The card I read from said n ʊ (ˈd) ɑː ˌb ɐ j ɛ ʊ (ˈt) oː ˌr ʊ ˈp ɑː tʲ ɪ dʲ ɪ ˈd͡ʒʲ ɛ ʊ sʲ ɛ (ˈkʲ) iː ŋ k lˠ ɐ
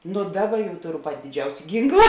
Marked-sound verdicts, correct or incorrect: correct, correct, incorrect

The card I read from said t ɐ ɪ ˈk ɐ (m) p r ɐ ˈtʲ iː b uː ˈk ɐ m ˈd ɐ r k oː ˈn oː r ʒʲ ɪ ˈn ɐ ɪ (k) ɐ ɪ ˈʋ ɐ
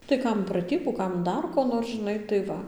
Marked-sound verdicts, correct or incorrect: correct, incorrect

